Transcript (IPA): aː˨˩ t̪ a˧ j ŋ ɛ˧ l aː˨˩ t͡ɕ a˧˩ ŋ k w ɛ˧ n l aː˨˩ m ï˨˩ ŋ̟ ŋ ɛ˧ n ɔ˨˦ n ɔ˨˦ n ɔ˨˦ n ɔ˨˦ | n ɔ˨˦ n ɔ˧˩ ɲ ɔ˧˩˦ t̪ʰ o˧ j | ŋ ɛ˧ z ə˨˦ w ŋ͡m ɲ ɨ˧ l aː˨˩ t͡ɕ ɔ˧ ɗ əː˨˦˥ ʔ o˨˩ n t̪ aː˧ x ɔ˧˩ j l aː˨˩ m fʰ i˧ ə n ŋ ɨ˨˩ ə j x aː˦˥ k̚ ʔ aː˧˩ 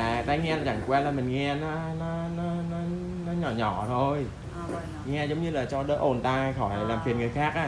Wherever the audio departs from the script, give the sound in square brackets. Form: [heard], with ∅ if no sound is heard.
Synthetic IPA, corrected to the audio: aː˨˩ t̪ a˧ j ŋ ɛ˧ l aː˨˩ t͡ɕ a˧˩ ŋ k w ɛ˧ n l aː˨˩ m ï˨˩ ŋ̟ ŋ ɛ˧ n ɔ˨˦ n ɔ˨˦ n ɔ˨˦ n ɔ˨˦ | n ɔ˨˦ [ɲ] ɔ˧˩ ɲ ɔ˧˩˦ t̪ʰ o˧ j | ŋ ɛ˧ z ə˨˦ w ŋ͡m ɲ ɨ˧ l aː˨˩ t͡ɕ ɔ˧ ɗ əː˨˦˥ ʔ o˨˩ n t̪ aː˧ x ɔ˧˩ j l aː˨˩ m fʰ [i˨˩] ə n ŋ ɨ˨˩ ə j x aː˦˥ k̚ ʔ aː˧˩

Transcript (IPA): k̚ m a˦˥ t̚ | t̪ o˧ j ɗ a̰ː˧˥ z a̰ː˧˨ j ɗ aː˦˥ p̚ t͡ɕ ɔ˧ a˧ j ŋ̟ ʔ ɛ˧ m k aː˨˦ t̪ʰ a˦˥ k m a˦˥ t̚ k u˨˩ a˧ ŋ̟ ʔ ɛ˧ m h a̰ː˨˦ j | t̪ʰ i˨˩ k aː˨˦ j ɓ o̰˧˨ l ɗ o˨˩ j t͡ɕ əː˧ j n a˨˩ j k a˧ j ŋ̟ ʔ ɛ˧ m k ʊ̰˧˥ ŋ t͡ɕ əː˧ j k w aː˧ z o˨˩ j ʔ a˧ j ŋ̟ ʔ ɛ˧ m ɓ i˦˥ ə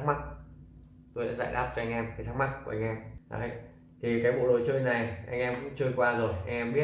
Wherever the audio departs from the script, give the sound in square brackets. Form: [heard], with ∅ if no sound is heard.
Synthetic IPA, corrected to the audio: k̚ m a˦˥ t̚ | t̪ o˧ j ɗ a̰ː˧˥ z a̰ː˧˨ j ɗ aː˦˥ p̚ t͡ɕ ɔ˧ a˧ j ŋ̟ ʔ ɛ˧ m k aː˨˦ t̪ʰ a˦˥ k m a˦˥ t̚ k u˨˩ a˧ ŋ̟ ʔ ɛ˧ m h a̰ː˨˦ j | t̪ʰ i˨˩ k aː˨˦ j ɓ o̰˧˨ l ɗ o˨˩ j t͡ɕ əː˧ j n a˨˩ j [ʔ] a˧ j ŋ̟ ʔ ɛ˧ m k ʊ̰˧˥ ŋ t͡ɕ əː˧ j k w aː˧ z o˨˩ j ʔ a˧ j ŋ̟ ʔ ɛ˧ m ɓ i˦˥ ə

